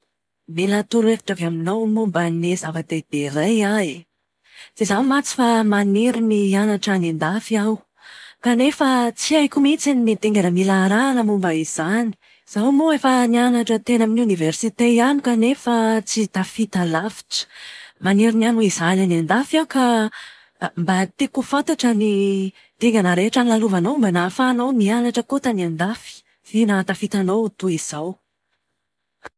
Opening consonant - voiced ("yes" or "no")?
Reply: yes